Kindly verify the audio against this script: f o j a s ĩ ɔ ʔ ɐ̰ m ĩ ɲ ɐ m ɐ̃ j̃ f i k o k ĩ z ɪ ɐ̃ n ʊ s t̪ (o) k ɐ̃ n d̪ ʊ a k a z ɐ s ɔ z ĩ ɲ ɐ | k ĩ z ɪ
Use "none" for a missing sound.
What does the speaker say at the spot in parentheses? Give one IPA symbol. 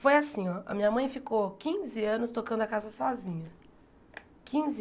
o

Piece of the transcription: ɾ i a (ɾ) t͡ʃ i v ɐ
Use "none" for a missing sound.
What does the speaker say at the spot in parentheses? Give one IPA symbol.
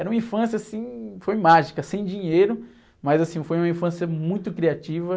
none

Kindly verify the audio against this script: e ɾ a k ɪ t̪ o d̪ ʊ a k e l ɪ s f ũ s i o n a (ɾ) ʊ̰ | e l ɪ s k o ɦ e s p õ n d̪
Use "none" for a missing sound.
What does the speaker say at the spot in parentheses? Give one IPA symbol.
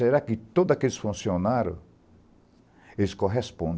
ɾ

